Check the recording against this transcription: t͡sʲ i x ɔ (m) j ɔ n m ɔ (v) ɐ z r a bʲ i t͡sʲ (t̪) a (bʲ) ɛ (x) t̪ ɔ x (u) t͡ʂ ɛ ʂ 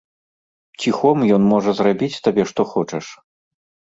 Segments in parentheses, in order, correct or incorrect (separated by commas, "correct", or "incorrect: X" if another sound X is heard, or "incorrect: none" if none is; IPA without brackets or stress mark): correct, incorrect: ʐ, correct, correct, incorrect: ʂ, incorrect: ɔ